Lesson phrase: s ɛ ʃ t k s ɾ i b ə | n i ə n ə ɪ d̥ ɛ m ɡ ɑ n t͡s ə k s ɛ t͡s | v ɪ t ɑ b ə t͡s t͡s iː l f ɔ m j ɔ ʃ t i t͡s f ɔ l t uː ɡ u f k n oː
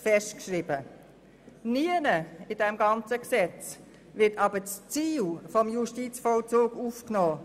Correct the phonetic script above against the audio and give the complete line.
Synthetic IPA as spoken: f ɛ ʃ t k ʃ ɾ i b ə | n i ə n ə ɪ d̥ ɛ m ɡ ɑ n t͡s ə k s ɛ t͡s | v ɪ t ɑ b ə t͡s t͡s iː l f ɔ m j u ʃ t i t͡s f ɔ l t͡s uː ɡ u f k n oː